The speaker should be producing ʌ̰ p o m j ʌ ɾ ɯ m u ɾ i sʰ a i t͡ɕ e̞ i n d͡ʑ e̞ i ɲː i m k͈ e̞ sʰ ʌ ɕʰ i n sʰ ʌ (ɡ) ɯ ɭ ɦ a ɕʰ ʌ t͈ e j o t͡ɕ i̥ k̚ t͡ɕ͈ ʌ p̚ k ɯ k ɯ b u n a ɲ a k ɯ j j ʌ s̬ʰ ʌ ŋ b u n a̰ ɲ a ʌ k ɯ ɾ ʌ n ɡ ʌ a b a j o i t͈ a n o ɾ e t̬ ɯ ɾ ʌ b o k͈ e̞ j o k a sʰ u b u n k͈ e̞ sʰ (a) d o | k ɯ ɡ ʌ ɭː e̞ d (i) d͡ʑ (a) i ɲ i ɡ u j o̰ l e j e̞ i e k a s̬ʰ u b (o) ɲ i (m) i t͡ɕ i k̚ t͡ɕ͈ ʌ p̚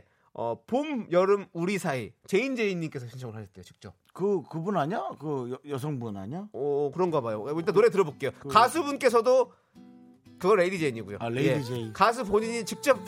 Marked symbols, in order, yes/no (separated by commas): no, no, yes, no, yes, no